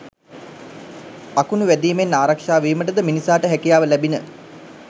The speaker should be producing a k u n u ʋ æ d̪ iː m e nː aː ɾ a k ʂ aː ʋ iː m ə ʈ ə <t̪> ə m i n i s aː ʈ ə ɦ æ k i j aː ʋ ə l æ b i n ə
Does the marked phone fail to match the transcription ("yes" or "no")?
yes